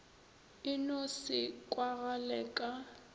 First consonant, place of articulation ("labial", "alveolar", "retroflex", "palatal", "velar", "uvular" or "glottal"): alveolar